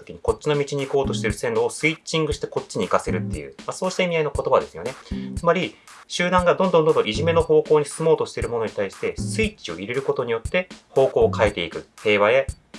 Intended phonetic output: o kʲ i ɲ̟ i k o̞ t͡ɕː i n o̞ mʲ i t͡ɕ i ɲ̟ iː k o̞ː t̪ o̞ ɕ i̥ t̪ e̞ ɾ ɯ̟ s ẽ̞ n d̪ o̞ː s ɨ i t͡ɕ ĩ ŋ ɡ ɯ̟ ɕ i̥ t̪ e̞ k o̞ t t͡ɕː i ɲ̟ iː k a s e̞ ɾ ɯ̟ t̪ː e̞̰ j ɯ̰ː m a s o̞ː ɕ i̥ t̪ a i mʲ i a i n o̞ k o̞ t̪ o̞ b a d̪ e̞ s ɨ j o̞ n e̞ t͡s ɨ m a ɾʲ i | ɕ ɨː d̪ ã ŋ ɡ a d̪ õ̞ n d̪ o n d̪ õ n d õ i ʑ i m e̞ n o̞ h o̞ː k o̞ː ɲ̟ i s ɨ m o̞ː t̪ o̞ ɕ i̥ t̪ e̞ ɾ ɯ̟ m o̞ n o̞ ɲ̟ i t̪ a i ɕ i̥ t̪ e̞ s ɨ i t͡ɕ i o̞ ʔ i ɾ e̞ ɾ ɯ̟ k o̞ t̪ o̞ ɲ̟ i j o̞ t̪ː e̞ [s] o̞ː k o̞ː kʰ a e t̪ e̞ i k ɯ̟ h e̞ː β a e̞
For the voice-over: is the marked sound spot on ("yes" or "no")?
no